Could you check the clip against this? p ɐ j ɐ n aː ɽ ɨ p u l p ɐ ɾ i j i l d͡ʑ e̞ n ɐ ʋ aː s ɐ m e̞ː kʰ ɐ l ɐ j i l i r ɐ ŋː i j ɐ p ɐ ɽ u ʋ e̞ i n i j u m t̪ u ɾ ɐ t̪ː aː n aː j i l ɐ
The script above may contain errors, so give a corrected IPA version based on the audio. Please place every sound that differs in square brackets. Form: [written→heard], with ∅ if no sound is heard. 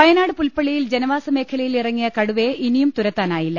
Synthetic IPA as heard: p ɐ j ɐ n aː ɽ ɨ p u l p ɐ [ɾ→ɭ] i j i l d͡ʑ e̞ n ɐ ʋ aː s ɐ m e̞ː kʰ ɐ l ɐ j i l i r ɐ ŋː i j ɐ [p→k] ɐ ɽ u ʋ e̞ i n i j u m t̪ u ɾ ɐ t̪ː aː n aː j i [l→lː] ɐ